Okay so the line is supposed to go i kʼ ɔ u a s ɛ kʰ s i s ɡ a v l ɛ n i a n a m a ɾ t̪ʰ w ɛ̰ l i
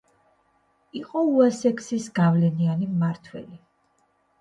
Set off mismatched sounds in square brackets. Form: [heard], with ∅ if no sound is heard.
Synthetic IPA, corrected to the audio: i [qʼ] ɔ u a s ɛ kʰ s i s ɡ a v l ɛ n i a n [i] m a ɾ t̪ʰ w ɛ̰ l i